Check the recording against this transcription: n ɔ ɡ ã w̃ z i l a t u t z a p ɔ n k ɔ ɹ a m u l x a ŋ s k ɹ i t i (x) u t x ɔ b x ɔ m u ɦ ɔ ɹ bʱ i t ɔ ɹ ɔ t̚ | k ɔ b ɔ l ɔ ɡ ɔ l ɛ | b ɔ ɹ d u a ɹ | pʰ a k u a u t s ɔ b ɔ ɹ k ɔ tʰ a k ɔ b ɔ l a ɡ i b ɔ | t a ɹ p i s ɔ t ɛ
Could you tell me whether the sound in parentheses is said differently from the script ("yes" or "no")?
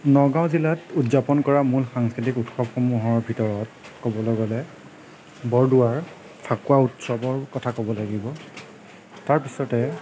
yes